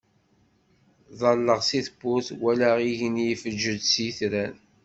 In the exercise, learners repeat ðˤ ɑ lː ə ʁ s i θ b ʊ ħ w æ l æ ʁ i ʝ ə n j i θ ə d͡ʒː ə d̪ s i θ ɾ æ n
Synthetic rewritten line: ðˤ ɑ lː ə ʁ s i θ b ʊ θ w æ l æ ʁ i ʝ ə n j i f ə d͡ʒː ə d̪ s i θ ɾ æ n